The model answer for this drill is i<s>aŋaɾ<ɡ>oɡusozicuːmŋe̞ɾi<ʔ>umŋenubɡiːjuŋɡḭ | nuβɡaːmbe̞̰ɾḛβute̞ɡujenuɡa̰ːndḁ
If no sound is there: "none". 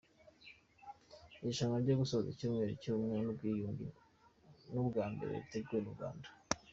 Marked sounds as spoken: ʃ, ɟ, c

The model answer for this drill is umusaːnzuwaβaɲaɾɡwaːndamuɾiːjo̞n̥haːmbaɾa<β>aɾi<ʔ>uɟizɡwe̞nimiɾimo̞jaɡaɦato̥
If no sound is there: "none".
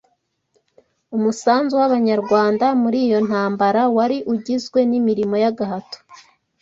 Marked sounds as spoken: w, ʔ

